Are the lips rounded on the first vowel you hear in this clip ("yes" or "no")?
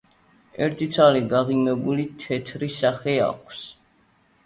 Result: no